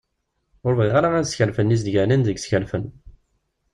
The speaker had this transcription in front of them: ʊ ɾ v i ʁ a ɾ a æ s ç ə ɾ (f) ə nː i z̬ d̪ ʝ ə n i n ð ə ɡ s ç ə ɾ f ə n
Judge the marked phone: correct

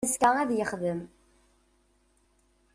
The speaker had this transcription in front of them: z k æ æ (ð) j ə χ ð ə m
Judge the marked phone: correct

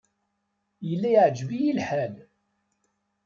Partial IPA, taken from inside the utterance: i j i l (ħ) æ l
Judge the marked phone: correct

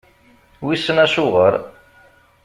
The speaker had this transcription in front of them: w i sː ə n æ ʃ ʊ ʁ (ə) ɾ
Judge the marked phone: correct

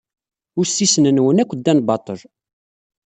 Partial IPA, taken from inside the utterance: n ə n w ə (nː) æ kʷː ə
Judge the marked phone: incorrect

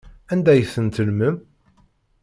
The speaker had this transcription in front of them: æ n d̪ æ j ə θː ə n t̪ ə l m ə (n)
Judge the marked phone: incorrect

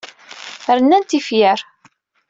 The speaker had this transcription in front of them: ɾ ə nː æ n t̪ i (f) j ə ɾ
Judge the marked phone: correct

